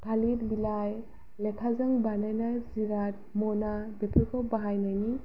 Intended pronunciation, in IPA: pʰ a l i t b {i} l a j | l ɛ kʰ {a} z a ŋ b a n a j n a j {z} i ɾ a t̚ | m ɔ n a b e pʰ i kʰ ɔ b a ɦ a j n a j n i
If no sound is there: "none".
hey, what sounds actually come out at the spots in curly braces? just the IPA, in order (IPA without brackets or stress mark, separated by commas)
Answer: i, a, z